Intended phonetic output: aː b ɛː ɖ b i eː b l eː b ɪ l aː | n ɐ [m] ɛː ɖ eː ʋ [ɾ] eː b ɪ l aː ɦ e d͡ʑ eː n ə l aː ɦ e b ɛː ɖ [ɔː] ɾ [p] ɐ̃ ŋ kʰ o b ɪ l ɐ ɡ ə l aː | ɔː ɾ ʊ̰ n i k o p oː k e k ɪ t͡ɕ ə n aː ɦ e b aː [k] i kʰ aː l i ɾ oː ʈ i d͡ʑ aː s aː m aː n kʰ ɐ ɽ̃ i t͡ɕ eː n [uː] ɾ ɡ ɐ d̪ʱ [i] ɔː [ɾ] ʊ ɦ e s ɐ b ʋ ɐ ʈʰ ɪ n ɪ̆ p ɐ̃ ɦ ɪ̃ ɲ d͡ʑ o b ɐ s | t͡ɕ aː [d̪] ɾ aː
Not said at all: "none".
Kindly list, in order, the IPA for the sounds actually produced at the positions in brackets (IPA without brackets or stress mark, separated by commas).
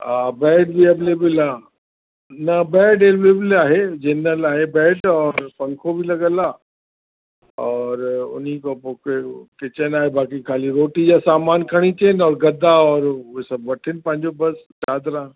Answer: b, l, ɔː, p, k, ɔː, a, ɾ, d̪